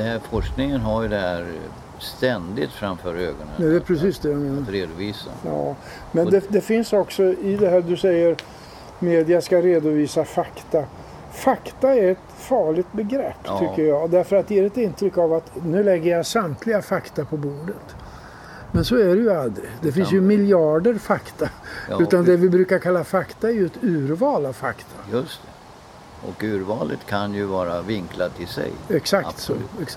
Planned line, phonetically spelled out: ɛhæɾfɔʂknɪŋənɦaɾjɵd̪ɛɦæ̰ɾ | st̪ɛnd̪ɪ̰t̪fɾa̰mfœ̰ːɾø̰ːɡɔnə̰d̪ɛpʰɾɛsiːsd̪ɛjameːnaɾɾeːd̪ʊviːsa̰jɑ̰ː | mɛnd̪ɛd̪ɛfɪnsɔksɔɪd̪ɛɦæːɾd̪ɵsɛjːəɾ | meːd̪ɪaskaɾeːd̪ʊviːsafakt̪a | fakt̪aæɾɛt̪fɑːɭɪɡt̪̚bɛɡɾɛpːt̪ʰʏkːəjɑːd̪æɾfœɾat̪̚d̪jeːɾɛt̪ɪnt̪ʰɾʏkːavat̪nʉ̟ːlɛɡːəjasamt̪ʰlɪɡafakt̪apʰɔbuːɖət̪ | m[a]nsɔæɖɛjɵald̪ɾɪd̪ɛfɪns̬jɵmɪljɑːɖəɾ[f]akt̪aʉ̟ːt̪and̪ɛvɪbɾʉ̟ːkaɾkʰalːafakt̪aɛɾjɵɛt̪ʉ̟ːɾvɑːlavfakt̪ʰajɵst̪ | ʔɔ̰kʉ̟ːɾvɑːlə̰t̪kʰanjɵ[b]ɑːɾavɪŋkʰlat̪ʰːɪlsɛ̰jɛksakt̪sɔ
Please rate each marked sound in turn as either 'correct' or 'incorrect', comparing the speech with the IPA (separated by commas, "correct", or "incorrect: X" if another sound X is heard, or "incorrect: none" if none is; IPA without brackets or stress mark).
incorrect: ɛ, correct, incorrect: v